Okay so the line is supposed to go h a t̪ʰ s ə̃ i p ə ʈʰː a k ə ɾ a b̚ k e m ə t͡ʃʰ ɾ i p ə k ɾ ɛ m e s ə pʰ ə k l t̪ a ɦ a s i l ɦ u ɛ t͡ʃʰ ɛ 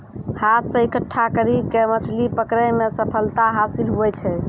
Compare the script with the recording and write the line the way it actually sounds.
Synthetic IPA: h a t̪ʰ s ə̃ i k ə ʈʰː a k ə ɾ i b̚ k e m ə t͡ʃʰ l i p ə k ɾ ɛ m e s ə pʰ ə l t̪ a ɦ a s i l ɦ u ɛ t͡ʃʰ ɛ

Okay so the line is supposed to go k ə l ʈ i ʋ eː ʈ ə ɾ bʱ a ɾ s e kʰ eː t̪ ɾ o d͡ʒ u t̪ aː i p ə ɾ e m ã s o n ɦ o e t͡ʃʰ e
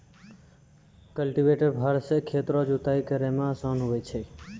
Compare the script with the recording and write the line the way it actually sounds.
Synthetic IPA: k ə l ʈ i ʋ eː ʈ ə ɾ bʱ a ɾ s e kʰ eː t̪ ɾ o d͡ʒ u t̪ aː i k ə ɾ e m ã s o n ɦ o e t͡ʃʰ e

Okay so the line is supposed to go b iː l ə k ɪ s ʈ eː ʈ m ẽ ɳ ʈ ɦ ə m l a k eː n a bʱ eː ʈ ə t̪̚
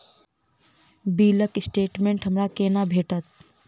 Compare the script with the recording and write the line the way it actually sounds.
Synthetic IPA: b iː l ə k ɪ s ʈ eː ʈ m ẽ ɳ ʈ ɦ ə m ɾ a k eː n a bʱ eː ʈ ə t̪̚

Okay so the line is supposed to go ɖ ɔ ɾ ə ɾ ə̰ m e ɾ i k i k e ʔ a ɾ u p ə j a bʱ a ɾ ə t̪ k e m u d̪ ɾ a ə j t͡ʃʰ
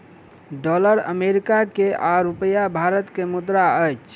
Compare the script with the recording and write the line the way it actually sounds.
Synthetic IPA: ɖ ɔ l ə ɾ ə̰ m e ɾ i k a k e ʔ a ɾ u p ə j a bʱ a ɾ ə t̪ k e m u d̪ ɾ a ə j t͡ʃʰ

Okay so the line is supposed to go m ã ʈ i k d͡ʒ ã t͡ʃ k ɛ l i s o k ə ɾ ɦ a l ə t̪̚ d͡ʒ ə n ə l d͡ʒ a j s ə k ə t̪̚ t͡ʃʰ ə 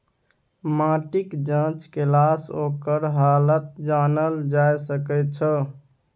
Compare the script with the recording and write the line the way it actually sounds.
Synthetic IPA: m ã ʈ i k d͡ʒ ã t͡ʃ k e l a s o k ə ɾ ɦ a l ə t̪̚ d͡ʒ a n ə l d͡ʒ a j s ə k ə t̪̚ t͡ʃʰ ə

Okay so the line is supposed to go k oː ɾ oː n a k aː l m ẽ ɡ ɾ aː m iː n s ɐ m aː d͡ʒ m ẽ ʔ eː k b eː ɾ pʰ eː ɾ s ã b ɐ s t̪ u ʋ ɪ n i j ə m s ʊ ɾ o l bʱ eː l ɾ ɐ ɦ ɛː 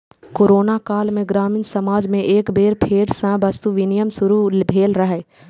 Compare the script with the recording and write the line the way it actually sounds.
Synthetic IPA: k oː ɾ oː n a k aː l m ẽ ɡ ɾ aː m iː n s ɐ m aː d͡ʒ m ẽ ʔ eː k b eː ɾ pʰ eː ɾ s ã b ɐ s t̪ u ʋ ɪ n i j ə m s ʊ ɾ u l bʱ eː l ɾ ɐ ɦ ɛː

